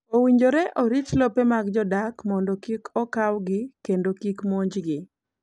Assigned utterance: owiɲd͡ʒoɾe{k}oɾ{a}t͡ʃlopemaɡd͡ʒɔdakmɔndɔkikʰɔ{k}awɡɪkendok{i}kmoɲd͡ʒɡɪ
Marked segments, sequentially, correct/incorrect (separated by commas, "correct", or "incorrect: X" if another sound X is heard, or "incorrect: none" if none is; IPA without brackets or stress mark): incorrect: ʔ, incorrect: i, correct, correct